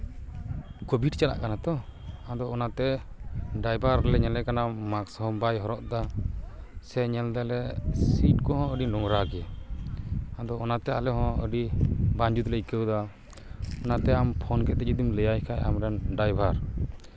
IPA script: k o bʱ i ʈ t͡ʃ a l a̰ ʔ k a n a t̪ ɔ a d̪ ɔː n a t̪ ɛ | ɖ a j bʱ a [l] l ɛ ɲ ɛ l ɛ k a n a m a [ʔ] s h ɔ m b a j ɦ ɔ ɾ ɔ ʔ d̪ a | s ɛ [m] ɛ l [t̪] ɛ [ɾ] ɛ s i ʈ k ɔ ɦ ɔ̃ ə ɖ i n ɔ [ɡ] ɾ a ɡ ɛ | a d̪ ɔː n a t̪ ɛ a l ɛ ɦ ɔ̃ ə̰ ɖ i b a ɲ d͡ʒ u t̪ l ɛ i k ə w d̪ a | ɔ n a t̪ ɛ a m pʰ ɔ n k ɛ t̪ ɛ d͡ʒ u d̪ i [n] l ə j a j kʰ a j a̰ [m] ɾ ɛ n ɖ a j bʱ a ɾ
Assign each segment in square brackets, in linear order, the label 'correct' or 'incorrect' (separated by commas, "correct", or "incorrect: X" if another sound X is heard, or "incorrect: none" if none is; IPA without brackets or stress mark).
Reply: incorrect: ɾ, incorrect: k, incorrect: ɲ, incorrect: d̪, incorrect: l, incorrect: ŋ, incorrect: m, correct